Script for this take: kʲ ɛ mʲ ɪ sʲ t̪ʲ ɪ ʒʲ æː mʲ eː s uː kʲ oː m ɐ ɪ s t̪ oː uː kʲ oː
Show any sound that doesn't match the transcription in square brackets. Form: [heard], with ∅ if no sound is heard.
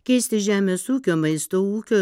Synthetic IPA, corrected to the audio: kʲ ɛ [∅] ɪ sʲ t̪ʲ ɪ ʒʲ æː mʲ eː s uː kʲ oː m ɐ ɪ s t̪ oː uː kʲ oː